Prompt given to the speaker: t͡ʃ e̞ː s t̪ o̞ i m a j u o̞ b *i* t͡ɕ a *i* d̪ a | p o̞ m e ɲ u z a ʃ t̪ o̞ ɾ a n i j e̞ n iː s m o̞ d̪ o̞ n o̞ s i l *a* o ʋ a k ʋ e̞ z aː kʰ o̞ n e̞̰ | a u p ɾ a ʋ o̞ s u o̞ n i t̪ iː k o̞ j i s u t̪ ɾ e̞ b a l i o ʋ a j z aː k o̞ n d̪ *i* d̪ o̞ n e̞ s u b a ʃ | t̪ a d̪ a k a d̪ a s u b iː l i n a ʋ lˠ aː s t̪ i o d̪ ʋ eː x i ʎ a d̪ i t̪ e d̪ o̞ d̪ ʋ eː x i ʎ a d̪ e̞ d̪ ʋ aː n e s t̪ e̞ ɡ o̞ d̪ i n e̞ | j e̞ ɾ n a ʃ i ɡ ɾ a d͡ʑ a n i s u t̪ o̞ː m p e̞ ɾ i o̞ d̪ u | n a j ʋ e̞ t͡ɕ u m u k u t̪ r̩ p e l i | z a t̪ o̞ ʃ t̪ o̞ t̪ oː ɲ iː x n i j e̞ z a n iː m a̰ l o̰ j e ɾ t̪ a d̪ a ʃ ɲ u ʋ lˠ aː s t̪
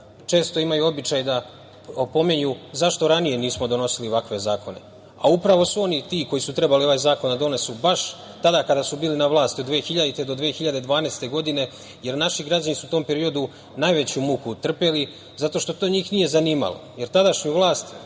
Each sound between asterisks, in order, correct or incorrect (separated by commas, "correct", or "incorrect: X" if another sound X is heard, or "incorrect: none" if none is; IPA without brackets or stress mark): correct, incorrect: j, incorrect: i, incorrect: a